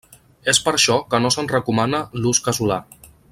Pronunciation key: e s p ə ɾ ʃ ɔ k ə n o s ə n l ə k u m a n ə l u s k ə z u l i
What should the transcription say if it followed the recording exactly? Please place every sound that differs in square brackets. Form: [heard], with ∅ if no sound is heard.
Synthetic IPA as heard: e s p ə ɾ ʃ ɔ k ə n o s ə n [r] ə k u m a n ə l u s k ə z u l [a]